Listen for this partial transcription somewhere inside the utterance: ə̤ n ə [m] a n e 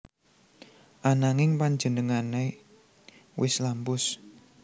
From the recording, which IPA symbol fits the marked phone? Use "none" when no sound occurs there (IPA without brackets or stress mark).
ŋ